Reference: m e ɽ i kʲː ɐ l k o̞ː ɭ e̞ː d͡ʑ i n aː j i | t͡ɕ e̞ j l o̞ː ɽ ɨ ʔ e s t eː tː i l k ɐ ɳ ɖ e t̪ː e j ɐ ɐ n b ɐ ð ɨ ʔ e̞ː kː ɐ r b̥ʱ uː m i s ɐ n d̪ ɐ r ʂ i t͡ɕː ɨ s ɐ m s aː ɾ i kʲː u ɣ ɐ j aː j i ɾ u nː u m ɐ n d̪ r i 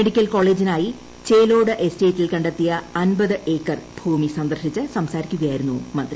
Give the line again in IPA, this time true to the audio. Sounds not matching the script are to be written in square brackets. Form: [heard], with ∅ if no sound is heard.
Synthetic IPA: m e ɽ i kʲː ɐ l k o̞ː ɭ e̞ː d͡ʑ i n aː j i | t͡ɕ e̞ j l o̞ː ɽ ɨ ʔ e s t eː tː i l k ɐ ɳ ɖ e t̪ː [i] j ɐ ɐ n b ɐ ð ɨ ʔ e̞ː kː ɐ r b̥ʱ uː m i s ɐ n d̪ ɐ r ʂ i t͡ɕː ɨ s ɐ m s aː ɾ i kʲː u ɣ ɐ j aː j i ɾ u nː u m ɐ n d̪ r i